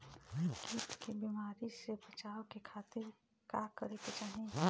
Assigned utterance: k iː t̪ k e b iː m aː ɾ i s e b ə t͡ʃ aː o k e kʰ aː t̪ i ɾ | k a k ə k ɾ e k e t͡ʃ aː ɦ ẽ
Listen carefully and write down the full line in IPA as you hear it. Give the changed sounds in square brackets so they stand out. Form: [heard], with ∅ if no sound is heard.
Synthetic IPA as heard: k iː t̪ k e b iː m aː ɾ i s e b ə t͡ʃ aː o k e kʰ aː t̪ [ɪ] ɾ | k a k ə [∅] ɾ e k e t͡ʃ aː ɦ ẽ